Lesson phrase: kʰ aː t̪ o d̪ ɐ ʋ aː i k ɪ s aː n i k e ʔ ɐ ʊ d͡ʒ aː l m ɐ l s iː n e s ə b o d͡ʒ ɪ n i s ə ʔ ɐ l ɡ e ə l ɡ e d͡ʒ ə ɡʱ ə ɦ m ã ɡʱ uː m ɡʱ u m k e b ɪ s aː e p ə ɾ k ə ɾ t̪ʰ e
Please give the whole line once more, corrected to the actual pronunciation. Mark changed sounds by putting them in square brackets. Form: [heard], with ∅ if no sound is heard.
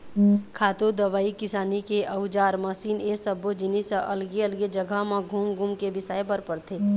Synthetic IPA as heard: kʰ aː t̪ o d̪ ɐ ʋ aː i k ɪ s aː n i k e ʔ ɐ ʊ d͡ʒ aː [ɾ] m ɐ [∅] s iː n e s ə b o d͡ʒ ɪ n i s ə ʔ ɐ l ɡ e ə l ɡ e d͡ʒ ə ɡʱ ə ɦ m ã ɡʱ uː m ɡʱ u m k e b ɪ s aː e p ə ɾ [p] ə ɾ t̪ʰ e